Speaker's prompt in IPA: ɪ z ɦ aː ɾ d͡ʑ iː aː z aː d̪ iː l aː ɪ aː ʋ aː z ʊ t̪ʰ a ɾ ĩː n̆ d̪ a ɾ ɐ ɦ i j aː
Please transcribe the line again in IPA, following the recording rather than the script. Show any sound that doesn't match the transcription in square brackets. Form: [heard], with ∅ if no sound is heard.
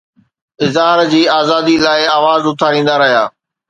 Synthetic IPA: ɪ z ɦ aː ɾ d͡ʑ iː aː z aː d̪ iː l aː ɪ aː ʋ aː z ʊ t̪ʰ a ɾ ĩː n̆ d̪ a ɾ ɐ ɦ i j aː